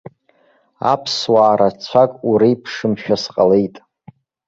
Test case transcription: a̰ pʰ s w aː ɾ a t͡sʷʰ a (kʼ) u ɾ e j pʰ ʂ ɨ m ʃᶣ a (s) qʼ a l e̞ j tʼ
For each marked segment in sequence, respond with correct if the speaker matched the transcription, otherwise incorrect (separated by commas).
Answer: correct, correct